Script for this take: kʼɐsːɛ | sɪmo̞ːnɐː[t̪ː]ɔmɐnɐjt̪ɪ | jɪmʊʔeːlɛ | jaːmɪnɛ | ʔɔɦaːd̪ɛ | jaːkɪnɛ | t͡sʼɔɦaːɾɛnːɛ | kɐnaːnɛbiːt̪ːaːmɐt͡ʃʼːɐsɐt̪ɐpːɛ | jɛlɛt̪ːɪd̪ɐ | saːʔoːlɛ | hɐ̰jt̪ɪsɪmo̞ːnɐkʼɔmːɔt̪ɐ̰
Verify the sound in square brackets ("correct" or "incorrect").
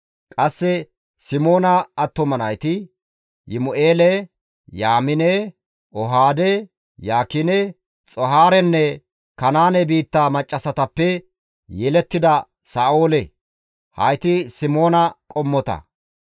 correct